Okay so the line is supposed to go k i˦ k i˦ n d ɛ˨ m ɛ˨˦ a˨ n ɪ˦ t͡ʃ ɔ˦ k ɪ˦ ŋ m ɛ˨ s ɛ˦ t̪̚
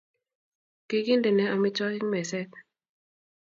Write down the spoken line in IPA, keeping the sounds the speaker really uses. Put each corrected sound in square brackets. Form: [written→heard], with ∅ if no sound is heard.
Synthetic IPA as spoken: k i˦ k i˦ n d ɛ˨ [m→n] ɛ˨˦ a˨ [n→m] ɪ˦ t͡ʃ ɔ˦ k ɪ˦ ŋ m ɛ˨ s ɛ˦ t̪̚